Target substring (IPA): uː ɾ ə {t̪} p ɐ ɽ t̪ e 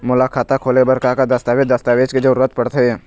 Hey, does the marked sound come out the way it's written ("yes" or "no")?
yes